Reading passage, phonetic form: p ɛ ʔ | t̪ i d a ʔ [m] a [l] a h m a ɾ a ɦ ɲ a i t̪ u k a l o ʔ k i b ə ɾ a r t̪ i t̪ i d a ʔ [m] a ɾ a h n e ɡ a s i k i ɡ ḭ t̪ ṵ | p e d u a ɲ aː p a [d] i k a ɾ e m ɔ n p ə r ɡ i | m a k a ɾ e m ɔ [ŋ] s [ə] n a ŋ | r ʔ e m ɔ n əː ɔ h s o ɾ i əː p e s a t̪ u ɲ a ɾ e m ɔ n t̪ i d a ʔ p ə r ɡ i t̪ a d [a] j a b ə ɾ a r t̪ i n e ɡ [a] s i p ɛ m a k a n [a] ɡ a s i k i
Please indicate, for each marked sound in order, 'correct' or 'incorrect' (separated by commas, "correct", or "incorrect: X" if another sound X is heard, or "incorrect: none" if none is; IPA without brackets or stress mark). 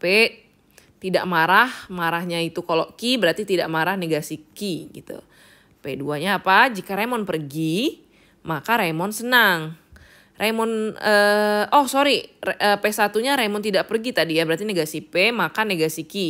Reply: correct, incorrect: ɾ, correct, incorrect: d͡ʒ, incorrect: n, correct, incorrect: i, correct, incorrect: e